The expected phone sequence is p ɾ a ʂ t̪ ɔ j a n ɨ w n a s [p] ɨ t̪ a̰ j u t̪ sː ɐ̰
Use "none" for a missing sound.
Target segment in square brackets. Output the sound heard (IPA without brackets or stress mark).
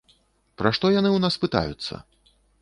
p